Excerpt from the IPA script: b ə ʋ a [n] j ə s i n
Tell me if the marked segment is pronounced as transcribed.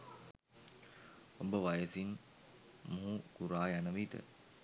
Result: no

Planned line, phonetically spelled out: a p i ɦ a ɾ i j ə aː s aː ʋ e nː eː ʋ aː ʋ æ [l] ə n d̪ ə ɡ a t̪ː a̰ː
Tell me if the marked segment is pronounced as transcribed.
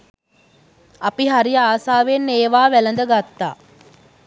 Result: yes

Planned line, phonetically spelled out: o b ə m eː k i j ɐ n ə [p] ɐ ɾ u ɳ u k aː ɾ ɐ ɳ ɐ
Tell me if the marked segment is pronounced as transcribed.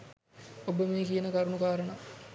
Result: no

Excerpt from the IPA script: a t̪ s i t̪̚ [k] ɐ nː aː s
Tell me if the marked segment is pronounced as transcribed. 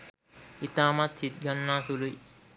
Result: no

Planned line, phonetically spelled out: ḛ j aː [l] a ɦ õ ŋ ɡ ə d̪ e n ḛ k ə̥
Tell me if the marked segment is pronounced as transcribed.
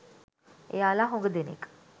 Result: yes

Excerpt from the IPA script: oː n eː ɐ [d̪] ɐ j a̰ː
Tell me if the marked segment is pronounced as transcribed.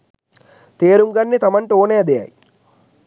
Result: yes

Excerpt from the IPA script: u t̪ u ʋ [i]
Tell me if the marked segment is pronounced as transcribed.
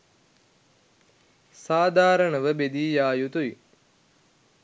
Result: yes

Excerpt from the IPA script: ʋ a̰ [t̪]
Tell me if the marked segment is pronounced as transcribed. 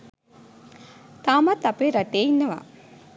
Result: no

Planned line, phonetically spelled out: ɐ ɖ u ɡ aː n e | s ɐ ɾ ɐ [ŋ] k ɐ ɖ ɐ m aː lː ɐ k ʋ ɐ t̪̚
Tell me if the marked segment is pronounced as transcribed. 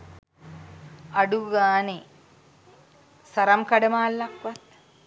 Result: no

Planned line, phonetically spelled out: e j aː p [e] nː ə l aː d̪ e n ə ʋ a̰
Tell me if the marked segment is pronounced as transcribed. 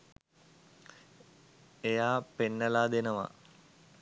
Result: yes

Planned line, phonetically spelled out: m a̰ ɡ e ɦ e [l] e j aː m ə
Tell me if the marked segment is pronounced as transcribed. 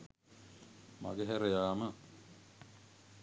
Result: no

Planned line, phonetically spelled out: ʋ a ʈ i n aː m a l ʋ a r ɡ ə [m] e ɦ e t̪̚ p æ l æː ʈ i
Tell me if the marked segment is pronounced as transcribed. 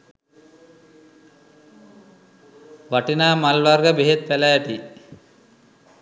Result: no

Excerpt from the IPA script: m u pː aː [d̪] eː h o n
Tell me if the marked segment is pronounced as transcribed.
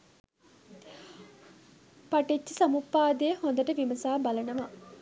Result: yes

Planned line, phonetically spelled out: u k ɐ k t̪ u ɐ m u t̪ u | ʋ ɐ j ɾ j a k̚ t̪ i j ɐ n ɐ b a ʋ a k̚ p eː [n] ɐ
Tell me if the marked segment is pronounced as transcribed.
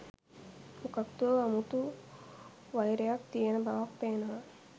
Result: yes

